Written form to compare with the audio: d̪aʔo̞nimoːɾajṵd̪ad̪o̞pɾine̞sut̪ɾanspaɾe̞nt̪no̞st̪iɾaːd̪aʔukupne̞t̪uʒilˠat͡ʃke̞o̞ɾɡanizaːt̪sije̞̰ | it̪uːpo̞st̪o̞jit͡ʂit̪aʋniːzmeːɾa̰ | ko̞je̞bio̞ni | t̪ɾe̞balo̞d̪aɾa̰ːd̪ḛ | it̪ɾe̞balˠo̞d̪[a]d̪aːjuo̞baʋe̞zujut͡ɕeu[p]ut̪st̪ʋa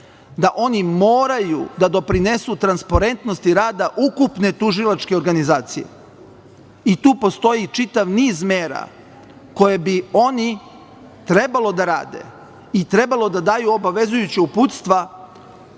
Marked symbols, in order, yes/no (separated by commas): yes, yes